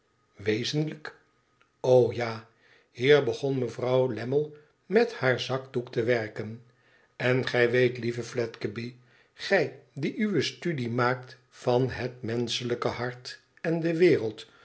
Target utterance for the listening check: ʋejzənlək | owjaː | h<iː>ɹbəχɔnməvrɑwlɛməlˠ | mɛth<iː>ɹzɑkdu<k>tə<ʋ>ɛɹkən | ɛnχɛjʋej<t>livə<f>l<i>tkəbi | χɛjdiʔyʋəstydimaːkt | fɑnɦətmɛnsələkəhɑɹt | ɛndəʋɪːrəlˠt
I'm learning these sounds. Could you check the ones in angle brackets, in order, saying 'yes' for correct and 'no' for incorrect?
yes, no, yes, yes, yes, yes, no

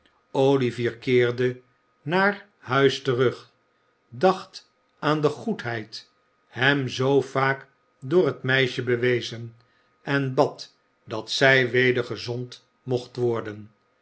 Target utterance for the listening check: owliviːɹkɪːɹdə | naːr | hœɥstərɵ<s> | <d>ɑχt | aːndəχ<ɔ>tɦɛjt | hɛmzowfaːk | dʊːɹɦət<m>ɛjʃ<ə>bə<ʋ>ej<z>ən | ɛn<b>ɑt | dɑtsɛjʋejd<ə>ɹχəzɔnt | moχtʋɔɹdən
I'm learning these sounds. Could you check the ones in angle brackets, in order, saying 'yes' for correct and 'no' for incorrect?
no, yes, no, yes, yes, yes, yes, yes, yes

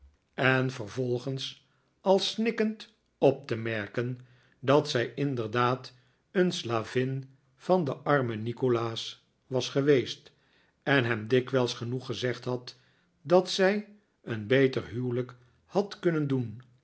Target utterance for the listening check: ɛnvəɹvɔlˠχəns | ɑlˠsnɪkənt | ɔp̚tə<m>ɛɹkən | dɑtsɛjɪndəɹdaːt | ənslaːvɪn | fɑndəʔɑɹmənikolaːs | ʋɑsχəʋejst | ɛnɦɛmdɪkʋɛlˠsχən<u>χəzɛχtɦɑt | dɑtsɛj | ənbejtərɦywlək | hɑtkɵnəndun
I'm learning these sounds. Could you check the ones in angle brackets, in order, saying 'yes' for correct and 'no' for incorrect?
yes, yes

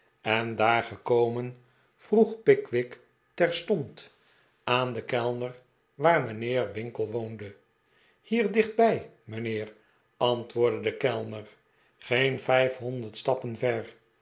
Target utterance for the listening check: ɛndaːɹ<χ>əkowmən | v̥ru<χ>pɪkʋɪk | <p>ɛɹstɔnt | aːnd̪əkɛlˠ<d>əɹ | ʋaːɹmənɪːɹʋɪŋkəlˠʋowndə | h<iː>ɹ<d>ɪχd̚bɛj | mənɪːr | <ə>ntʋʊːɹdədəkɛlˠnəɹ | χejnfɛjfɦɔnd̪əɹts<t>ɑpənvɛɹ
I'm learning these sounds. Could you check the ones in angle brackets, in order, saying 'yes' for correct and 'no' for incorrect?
yes, yes, no, no, yes, yes, no, yes

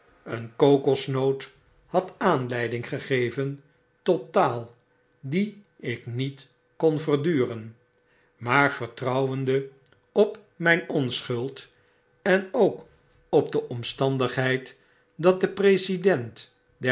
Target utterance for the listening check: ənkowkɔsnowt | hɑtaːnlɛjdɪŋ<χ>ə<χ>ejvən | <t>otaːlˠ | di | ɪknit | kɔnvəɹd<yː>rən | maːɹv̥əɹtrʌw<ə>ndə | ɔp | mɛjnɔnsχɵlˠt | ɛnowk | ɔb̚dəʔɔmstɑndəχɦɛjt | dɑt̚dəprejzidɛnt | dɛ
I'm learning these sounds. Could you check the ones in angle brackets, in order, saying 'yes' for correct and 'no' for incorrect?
yes, yes, yes, yes, yes

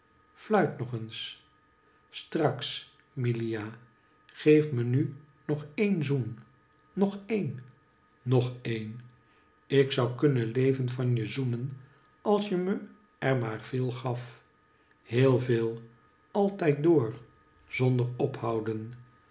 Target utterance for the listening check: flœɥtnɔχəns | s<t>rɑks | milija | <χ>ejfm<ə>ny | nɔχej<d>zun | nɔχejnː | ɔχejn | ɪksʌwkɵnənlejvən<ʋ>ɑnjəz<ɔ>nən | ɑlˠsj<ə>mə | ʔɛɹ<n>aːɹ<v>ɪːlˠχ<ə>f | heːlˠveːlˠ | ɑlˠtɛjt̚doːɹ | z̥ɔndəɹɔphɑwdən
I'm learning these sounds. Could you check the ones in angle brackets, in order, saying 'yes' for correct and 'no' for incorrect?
yes, yes, yes, no, no, no, yes, no, yes, no

